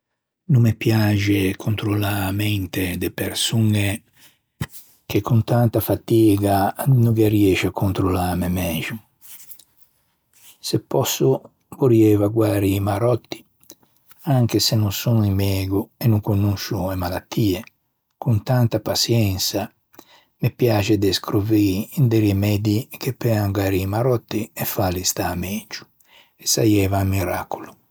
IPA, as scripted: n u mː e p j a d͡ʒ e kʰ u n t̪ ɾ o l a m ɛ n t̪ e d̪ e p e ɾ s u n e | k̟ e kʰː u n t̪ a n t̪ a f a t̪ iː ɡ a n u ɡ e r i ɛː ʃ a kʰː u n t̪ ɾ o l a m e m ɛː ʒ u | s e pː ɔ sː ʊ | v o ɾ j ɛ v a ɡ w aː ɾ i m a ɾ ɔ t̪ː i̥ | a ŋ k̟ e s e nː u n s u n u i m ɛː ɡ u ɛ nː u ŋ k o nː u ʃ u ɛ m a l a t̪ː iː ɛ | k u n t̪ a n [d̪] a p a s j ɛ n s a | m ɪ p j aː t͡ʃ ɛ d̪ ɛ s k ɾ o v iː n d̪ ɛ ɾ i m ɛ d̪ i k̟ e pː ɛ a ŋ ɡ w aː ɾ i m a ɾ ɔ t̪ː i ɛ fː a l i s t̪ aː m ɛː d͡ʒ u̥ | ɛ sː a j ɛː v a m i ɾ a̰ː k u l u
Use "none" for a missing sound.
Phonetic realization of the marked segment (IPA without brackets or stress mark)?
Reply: t̪